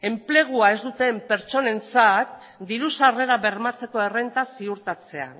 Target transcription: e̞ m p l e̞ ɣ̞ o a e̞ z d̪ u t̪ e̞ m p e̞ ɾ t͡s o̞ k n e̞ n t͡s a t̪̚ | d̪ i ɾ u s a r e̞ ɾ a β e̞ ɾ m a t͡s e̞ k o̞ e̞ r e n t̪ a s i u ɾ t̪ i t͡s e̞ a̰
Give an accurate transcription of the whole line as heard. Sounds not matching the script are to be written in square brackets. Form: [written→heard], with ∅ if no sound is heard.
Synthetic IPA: e̞ m p l e̞ ɣ̞ [o→u] a e̞ z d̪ u t̪ e̞ m p e̞ ɾ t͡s o̞ [k→∅] n e̞ n t͡s a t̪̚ | d̪ i ɾ u s a r e̞ ɾ a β e̞ ɾ m a t͡s e̞ k o̞ e̞ r e n t̪ a s i u ɾ t̪ [i→a] t͡s e̞ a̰